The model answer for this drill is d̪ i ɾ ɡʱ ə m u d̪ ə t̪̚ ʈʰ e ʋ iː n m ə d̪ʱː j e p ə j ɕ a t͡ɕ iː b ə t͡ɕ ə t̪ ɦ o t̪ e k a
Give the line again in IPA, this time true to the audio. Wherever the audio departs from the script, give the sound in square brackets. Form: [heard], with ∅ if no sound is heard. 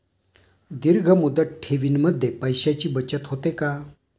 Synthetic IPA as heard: d̪ i ɾ ɡʱ ə m u d̪ ə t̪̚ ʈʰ e ʋ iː n m ə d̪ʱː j e p ə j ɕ a t͡ɕ iː b ə t͡ɕ ə t̪ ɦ o t̪ e k a